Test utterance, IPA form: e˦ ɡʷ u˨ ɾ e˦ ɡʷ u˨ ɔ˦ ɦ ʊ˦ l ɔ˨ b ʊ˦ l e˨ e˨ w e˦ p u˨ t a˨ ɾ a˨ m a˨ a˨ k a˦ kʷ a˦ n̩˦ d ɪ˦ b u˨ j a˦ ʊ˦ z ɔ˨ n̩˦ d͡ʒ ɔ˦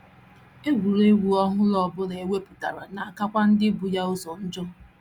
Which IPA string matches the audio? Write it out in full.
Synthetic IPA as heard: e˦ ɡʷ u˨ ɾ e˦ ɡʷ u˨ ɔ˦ ɦ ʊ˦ l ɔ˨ b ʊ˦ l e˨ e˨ w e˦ p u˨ t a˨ ɾ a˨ n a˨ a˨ k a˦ kʷ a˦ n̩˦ d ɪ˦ b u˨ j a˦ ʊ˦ z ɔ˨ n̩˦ d͡ʒ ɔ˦

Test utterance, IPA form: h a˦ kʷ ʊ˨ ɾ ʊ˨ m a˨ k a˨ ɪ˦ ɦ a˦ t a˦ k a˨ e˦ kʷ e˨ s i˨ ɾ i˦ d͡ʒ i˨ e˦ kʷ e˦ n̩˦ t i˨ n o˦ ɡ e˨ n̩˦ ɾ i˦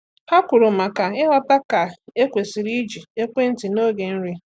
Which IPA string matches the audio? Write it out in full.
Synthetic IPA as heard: h a˦ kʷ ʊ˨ ɾ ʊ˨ m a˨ k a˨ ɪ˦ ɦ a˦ t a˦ k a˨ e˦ kʷ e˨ s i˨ ɾ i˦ d͡ʒ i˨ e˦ kʷ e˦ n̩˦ t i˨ n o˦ ɡ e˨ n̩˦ ɾ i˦

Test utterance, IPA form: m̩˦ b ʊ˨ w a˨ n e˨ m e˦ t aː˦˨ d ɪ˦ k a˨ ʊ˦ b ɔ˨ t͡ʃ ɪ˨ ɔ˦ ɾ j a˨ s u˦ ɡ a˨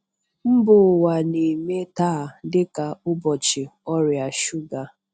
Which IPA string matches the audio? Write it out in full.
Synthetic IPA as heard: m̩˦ b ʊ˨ w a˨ n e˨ m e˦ t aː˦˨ d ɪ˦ k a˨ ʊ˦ b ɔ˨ t͡ʃ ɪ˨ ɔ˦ ɾ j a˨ ʃ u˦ ɡ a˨

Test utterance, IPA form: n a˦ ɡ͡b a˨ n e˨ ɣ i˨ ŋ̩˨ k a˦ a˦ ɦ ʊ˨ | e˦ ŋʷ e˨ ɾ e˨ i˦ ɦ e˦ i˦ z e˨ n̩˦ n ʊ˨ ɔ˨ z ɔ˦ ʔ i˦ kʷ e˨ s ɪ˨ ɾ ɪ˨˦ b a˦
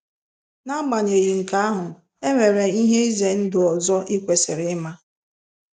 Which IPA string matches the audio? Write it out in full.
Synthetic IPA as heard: n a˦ ɡ͡b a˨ ɲ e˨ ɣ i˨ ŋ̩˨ k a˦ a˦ ɦ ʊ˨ | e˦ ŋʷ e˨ ɾ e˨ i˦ ɦ e˦ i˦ z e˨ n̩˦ d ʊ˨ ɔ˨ z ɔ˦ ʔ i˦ kʷ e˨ s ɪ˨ ɾ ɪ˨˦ m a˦

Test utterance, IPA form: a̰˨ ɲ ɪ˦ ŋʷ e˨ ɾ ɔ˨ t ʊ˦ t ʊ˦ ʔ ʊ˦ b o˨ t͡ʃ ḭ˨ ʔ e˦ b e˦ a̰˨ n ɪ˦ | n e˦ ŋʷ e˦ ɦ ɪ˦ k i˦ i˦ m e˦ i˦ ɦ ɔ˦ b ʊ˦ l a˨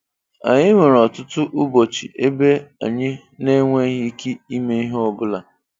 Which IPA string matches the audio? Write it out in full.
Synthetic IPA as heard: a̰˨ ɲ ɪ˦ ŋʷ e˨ ɾ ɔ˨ t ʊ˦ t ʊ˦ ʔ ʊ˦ b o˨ t͡ʃ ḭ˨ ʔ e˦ b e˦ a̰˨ ɲ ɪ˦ | n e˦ ŋʷ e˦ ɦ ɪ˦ k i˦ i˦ m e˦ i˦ ɦ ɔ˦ b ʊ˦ l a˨

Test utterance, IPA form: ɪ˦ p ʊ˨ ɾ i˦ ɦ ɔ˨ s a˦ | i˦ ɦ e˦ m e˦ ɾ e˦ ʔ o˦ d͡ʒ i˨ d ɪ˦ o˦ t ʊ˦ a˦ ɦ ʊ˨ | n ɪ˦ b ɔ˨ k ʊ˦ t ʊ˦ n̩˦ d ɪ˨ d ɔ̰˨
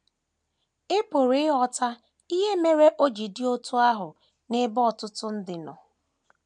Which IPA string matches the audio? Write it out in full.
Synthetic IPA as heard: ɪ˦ p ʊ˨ ɾ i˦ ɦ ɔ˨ t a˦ | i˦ ɦ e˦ m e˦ ɾ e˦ ʔ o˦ d͡ʒ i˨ d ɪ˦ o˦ t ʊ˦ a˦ ɦ ʊ˨ | n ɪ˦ b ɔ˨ t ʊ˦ t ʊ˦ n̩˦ d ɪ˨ n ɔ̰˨

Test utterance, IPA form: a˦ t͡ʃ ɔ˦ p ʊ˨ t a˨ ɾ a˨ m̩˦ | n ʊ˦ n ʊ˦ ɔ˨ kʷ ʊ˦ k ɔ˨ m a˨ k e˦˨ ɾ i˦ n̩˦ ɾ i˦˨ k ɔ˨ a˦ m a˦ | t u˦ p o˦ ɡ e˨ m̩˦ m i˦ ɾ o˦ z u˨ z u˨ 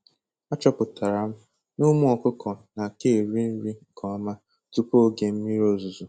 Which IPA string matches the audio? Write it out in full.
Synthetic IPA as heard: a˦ t͡ʃ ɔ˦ p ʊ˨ t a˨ ɾ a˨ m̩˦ | n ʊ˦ m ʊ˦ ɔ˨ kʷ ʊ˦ k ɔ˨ n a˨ k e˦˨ ɾ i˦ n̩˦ ɾ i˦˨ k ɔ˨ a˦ m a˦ | t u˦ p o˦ ɡ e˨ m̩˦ m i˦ ɾ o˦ z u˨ z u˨

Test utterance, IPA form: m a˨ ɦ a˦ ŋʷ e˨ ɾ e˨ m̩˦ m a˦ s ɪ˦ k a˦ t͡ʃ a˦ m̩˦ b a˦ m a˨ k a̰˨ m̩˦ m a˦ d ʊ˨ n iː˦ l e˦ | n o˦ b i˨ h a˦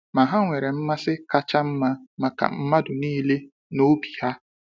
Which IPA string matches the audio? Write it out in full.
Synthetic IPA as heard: m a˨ ɦ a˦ ŋʷ e˨ ɾ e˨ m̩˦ m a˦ s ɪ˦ k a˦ t͡ʃ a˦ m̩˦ m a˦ m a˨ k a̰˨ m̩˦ m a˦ d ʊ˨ n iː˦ l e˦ | n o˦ b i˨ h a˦

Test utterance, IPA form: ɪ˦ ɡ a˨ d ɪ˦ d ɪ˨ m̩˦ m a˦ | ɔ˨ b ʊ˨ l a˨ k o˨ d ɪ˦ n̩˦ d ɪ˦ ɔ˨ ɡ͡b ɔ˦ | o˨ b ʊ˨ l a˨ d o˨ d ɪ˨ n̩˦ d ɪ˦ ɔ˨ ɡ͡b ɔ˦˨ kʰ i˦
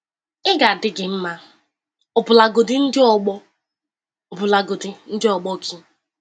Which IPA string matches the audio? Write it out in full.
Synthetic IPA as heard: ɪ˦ ɡ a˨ d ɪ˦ ɡ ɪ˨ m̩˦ m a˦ | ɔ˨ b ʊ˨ l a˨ ɡ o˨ d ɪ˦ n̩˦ d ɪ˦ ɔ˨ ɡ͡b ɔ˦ | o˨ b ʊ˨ l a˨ ɡ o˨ d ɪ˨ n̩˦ d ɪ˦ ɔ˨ ɡ͡b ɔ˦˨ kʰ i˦

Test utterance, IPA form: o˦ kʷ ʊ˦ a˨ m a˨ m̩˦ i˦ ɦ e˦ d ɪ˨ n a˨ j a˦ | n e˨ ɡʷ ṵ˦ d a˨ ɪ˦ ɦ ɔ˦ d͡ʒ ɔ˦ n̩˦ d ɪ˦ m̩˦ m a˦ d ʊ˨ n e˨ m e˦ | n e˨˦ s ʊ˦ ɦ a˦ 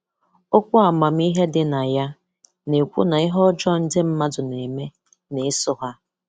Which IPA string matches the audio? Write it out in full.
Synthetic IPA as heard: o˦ kʷ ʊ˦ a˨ m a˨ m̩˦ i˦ ɦ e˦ d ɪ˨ n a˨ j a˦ | n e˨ kʷ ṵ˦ n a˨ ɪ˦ ɦ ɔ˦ d͡ʒ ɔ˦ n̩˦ d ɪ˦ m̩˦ m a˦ d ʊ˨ n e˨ m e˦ | n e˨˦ s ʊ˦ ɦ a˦

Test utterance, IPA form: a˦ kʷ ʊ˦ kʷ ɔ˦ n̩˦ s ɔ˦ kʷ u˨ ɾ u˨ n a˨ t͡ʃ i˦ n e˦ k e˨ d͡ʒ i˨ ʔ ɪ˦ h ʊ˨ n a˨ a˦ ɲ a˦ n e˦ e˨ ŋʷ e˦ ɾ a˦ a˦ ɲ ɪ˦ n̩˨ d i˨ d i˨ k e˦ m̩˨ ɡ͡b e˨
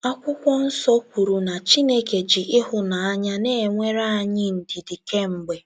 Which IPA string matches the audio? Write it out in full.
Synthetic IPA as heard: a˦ kʷ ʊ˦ kʷ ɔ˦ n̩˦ s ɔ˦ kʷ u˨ ɾ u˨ n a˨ t͡ʃ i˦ n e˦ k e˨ d͡ʒ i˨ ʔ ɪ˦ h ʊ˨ n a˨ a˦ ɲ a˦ n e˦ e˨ ŋʷ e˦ ɾ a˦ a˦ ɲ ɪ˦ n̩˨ d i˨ d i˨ k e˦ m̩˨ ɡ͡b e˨

